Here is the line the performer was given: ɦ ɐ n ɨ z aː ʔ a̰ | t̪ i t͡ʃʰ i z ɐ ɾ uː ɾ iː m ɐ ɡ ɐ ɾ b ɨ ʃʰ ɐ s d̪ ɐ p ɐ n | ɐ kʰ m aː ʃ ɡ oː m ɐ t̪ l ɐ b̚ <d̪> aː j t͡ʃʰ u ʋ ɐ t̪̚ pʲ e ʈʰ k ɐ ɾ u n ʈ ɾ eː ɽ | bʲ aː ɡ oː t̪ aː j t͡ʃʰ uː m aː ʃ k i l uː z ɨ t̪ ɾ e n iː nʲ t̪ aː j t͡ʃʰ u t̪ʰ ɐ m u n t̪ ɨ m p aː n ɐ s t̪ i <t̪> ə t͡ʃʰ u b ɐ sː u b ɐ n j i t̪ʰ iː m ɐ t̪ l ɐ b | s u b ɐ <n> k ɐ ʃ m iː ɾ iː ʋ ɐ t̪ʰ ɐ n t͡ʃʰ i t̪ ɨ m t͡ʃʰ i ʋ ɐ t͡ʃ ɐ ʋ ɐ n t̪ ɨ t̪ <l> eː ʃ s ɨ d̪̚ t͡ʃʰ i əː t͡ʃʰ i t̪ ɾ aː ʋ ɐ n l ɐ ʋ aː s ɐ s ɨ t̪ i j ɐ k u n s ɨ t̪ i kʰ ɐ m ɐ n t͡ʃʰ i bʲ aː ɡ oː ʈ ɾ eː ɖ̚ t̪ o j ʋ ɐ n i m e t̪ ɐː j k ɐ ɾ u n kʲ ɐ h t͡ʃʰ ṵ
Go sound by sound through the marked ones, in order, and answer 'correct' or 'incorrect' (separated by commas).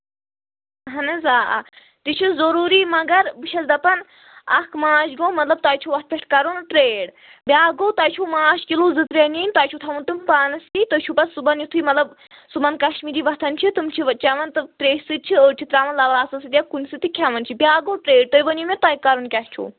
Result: incorrect, correct, correct, incorrect